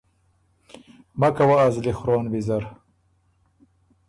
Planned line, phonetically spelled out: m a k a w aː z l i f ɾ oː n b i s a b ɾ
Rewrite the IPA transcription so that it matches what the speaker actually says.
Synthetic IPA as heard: m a k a w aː z l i x ɾ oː n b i z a ɾ

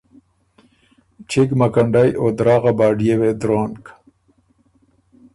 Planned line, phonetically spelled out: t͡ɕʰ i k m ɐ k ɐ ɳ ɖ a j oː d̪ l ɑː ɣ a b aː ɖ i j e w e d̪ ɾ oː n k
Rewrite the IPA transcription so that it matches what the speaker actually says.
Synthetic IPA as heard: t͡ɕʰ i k m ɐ k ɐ ɳ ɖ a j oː d̪ ɾ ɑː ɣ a b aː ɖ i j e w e d̪ ɾ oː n k

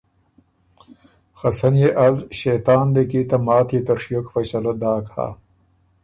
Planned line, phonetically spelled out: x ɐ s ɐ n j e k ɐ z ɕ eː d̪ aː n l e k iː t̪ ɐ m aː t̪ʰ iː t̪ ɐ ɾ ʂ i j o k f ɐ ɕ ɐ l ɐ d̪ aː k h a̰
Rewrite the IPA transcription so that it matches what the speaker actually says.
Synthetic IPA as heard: x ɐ s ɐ n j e ʔ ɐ z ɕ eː t̪ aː n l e k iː t̪ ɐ m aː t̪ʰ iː t̪ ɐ ɾ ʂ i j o k f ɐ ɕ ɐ l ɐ d̪ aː k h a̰

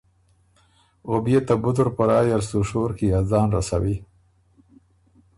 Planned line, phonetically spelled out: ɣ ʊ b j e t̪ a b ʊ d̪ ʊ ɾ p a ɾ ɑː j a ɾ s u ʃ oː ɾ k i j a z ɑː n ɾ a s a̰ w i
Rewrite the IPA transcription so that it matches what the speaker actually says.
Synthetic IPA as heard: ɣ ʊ b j e t̪ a b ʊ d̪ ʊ ɾ p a ɾ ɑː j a ɾ s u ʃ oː ɾ k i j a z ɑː n ɾ a s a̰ w i

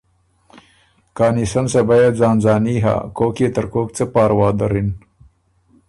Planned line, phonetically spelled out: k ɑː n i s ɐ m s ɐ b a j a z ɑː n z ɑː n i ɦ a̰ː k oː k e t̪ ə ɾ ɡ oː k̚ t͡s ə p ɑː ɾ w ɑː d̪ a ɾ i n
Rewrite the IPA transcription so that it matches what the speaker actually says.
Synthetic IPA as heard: k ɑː n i s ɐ n s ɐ b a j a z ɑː n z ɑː n i ɦ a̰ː k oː k e t̪ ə ɾ k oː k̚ t͡s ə p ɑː ɾ w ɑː d̪ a ɾ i n

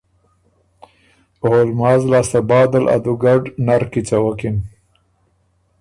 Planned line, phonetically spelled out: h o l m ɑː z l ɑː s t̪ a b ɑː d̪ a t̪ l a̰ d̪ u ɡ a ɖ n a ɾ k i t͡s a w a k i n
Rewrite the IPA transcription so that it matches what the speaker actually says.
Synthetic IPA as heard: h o l m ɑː z l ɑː s t̪ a b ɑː d̪ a l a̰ d̪ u ɡ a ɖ n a ɾ k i t͡s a w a k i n

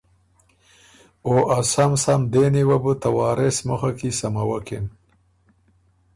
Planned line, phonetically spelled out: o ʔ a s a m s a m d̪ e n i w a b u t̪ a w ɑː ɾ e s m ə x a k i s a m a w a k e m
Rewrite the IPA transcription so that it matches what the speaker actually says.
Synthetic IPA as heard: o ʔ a s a m s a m d̪ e n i w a b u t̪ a w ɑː ɾ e s m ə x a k i s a m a w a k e n

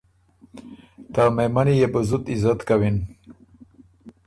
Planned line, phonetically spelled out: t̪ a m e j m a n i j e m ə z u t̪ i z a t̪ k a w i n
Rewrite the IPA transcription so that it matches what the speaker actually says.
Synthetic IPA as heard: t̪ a m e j m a n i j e b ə z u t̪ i z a t̪ k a w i n

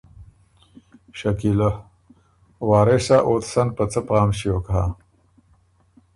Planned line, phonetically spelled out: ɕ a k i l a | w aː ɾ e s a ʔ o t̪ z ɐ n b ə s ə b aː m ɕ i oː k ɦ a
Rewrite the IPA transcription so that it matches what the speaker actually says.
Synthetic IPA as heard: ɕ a k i l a | w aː ɾ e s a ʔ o t̪ s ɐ n p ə t͡s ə p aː m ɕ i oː k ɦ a

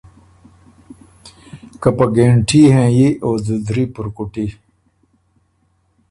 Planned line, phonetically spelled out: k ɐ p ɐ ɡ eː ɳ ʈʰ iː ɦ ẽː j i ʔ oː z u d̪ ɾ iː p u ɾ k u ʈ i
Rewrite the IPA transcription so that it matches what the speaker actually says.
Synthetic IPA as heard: k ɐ p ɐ ɡ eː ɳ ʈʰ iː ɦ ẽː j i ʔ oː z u d̪ ɾ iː p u ɾ k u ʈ i

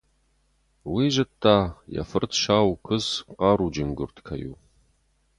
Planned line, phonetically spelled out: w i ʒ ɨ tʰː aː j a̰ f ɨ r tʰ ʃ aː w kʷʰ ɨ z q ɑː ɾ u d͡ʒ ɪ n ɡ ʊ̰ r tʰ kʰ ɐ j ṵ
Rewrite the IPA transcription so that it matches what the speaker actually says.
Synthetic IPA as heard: w i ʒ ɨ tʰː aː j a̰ f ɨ r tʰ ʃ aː w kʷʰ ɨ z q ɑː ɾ u d͡ʒ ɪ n ɡ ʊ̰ r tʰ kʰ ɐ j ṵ

